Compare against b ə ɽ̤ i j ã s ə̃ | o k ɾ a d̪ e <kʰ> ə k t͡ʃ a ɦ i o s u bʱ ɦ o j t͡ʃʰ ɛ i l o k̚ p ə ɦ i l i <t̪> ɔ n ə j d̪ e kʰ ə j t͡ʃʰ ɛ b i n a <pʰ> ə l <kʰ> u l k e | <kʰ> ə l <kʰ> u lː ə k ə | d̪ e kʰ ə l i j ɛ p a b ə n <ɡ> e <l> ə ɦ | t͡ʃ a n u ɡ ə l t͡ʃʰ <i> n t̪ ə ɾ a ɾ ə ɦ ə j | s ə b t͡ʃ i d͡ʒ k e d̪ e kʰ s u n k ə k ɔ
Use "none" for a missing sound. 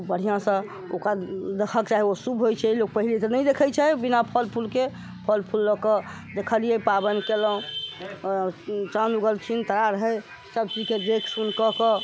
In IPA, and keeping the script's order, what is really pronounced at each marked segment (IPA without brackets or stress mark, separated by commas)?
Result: kʰ, t̪, pʰ, pʰ, pʰ, pʰ, k, l, i